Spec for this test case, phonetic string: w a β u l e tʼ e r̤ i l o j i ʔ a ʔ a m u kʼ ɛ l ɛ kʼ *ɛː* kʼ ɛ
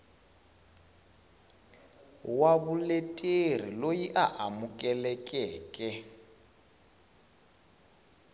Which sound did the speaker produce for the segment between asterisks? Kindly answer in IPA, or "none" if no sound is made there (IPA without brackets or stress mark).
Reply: ɛː